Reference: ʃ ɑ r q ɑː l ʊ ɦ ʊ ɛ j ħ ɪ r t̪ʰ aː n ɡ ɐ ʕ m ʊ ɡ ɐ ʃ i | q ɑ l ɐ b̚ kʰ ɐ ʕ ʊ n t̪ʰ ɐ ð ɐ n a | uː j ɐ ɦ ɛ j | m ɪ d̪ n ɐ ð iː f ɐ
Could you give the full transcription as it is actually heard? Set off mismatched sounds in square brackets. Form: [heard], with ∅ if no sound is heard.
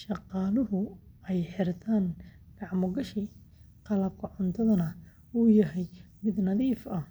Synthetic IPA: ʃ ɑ [∅] q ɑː l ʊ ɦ ʊ ɛ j ħ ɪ r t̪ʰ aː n ɡ [ɑ] ʕ m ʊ ɡ ɐ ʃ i | q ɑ l ɐ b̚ kʰ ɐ ʕ ʊ n t̪ʰ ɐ ð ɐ n [ɐ] | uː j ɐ ɦ ɛ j | m ɪ d̪ n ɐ ð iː f ɐ